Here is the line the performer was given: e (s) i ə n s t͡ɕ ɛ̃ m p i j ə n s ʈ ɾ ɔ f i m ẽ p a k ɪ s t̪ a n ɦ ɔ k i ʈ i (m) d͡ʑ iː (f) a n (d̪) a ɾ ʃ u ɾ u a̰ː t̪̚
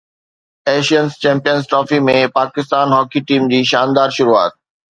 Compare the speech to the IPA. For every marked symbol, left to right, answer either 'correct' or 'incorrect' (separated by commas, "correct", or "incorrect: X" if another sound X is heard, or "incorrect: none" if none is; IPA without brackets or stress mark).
incorrect: ʃ, correct, incorrect: ʃ, correct